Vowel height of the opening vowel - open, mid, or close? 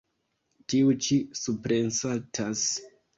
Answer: close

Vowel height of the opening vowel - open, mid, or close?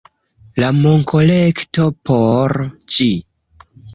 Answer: open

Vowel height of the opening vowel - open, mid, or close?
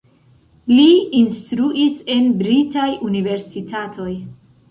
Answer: close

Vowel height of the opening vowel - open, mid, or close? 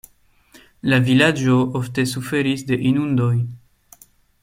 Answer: open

